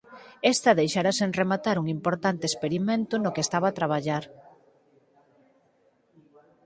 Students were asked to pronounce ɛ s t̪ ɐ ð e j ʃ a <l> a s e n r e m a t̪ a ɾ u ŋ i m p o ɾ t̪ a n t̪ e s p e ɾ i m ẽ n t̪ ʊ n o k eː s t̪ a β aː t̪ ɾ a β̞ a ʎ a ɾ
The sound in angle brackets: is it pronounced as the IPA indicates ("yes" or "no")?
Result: no